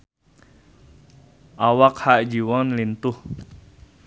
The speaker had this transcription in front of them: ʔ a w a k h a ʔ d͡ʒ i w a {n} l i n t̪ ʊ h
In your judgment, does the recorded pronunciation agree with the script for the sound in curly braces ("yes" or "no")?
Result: yes